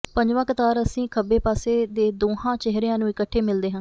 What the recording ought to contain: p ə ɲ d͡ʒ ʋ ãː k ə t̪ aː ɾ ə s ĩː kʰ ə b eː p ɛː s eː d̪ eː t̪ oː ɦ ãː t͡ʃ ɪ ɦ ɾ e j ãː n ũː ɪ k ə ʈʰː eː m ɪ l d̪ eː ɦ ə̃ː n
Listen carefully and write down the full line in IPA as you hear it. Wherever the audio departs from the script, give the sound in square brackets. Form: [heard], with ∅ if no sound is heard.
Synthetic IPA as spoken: p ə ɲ d͡ʒ ʋ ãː k ə t̪ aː ɾ ə s ĩː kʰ ə b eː p [aː] s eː d̪ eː [d̪] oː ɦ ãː t͡ʃ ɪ ɦ ɾ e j ãː n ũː ɪ k ə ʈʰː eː m ɪ l d̪ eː ɦ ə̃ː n